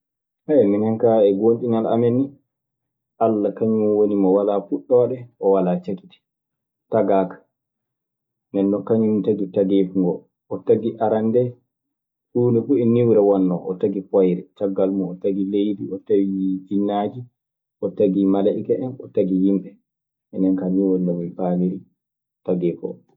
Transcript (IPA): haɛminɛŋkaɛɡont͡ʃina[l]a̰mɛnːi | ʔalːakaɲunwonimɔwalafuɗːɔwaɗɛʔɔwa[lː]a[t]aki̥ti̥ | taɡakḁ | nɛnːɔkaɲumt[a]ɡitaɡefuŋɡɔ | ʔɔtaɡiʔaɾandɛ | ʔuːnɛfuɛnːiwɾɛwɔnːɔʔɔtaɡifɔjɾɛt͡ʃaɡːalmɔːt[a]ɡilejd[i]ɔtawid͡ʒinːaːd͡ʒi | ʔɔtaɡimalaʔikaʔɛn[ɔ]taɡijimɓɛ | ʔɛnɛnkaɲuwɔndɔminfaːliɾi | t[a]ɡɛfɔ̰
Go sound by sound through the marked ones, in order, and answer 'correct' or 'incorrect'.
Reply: correct, incorrect, incorrect, correct, correct, correct, correct, correct

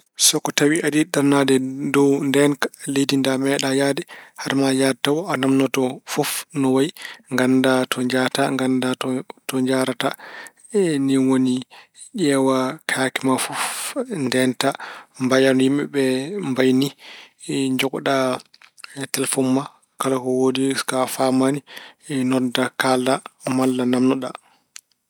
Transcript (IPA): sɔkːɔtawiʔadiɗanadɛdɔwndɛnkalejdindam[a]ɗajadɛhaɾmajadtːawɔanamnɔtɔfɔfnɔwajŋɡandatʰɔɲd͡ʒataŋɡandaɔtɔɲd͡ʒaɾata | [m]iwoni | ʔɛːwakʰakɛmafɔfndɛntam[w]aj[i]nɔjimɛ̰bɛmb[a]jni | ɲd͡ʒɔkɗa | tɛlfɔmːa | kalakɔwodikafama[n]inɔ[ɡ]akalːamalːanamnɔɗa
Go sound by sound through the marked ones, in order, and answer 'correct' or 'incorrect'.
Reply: incorrect, incorrect, incorrect, incorrect, correct, correct, incorrect

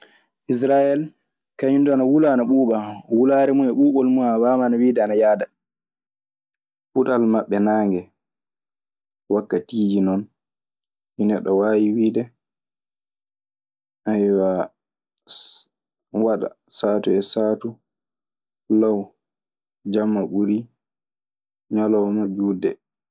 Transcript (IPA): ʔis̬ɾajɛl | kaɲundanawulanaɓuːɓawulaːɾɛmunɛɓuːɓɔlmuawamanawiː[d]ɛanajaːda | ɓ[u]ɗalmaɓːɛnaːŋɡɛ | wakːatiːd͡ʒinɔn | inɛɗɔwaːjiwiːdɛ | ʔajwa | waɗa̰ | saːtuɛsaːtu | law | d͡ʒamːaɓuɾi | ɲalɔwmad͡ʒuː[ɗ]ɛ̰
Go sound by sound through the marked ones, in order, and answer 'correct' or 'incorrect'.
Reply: correct, correct, incorrect

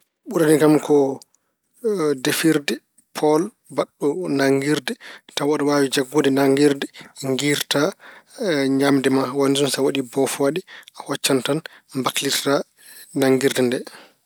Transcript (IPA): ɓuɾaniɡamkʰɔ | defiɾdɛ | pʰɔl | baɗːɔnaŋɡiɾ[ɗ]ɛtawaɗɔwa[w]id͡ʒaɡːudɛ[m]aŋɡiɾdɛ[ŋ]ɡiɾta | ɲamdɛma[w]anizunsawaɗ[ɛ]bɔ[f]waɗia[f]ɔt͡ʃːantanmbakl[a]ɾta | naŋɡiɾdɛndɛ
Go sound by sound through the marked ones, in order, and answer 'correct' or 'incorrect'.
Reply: incorrect, correct, incorrect, correct, correct, incorrect, correct, incorrect, incorrect

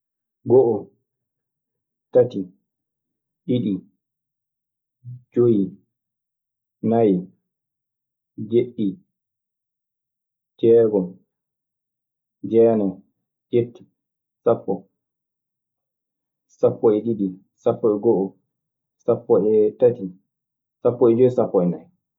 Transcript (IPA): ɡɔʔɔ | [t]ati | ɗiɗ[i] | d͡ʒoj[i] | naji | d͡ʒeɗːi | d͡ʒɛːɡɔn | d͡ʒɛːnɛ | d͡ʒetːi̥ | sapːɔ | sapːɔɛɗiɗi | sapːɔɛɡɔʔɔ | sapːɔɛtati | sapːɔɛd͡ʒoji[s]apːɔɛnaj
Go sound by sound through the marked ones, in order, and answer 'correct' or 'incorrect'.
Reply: correct, correct, correct, correct

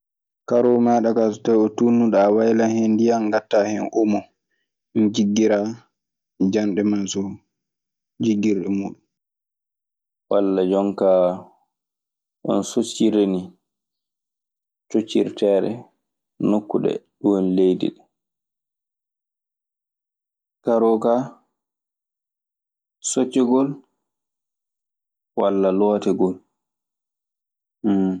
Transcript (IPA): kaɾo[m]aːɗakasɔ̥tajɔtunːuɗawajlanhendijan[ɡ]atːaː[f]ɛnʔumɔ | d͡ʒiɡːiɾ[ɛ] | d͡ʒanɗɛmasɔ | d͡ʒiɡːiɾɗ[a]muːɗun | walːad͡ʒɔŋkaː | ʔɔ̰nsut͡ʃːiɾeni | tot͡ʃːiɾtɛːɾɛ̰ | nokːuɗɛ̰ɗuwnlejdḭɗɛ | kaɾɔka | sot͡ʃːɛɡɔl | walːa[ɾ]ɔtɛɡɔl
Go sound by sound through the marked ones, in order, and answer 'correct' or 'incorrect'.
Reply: correct, correct, incorrect, incorrect, incorrect, incorrect

